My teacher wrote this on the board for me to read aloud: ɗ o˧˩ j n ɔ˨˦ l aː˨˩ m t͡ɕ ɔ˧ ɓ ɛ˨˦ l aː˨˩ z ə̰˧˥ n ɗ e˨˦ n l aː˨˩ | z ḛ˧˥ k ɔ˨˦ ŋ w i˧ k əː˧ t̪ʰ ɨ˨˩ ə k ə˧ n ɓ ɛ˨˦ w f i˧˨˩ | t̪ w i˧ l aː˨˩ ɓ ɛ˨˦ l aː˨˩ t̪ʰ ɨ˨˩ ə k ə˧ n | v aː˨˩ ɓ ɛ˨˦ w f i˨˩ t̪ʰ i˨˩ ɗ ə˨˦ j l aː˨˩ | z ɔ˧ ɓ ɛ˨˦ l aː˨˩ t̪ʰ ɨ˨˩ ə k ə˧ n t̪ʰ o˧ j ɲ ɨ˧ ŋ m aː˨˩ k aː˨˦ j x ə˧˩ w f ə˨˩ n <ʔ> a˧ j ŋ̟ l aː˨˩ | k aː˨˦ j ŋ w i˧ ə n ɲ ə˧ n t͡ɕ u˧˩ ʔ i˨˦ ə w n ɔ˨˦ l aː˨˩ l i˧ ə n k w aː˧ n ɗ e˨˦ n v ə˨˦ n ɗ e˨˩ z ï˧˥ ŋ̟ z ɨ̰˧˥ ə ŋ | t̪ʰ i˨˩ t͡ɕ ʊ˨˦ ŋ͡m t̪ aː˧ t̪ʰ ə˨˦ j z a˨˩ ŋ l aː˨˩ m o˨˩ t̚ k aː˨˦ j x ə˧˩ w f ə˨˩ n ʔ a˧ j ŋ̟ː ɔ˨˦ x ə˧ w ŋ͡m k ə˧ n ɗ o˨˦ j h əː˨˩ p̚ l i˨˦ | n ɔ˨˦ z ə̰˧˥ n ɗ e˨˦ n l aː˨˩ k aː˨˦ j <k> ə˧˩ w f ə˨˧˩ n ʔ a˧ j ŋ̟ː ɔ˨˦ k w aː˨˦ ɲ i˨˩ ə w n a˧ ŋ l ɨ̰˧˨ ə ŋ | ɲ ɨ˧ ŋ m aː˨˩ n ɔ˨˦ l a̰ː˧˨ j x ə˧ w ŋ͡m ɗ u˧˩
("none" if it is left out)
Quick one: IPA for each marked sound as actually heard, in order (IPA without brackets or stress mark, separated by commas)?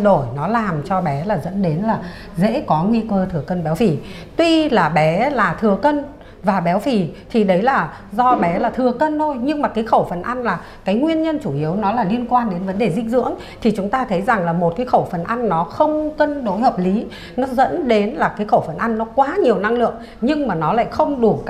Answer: ʔ, x